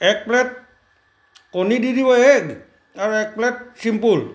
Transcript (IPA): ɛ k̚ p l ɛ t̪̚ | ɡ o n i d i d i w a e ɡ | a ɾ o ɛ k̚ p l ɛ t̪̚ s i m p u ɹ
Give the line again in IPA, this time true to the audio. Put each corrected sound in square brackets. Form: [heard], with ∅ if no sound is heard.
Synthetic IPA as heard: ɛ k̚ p l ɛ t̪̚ | [k] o n i d i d i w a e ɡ | a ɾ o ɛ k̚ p l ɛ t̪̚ s i m p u [l]